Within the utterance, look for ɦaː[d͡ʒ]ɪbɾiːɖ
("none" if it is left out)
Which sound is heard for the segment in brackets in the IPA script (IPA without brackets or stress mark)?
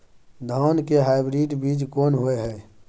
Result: none